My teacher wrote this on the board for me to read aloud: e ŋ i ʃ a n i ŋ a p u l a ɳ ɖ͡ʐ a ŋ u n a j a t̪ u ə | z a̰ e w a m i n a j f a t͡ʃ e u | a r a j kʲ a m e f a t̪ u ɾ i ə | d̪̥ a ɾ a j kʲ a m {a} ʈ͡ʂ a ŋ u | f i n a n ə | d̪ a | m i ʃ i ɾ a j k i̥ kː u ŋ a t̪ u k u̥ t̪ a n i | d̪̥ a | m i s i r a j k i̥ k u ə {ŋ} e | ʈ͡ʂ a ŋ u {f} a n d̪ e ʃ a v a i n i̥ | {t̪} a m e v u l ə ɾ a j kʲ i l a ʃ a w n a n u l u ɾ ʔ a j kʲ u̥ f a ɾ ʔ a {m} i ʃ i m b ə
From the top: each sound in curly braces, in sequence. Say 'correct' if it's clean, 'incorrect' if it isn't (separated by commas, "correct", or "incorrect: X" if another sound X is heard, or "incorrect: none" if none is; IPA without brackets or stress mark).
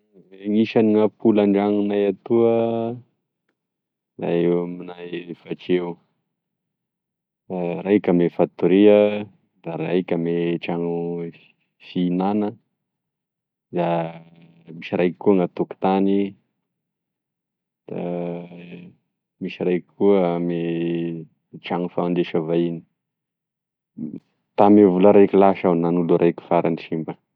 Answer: incorrect: e, incorrect: m, correct, correct, incorrect: n